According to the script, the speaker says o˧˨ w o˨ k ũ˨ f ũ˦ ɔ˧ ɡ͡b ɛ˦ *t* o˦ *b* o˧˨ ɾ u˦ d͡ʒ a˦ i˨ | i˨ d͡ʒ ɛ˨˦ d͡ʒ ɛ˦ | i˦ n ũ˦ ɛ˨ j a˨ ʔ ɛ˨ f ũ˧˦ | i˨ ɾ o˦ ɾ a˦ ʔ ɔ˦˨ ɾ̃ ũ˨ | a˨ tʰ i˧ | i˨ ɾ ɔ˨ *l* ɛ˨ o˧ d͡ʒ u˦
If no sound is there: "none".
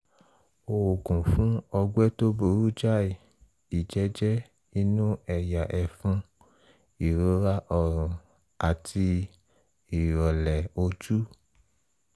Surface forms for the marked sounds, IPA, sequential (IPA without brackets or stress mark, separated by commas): t, b, l